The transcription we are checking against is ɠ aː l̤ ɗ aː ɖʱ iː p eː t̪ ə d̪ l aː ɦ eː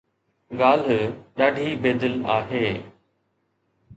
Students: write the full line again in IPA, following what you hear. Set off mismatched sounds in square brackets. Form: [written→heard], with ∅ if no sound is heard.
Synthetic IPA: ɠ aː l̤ ɗ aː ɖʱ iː [p→b] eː [t̪→d̪] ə [d̪→∅] l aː ɦ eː